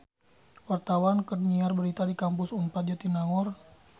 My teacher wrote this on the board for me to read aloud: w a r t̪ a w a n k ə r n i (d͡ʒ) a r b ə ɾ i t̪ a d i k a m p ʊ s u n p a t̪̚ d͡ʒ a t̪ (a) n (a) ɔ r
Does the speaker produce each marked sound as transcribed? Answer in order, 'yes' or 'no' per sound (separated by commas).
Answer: no, no, yes